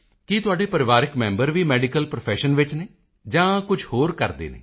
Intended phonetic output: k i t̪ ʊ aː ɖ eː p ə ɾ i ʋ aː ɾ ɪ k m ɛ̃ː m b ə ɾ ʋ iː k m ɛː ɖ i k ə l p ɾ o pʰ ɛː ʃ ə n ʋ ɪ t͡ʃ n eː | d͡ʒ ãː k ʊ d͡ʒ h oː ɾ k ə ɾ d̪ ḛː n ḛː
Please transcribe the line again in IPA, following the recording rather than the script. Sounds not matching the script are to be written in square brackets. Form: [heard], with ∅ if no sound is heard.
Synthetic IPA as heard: k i t̪ ʊ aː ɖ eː p ə ɾ [ɪ] ʋ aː ɾ ɪ k m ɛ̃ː m b ə ɾ ʋ iː [∅] m ɛː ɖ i k ə l p ɾ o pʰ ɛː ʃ ə n ʋ ɪ t͡ʃ n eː | d͡ʒ ãː k ʊ d͡ʒ h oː ɾ k ə ɾ d̪ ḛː n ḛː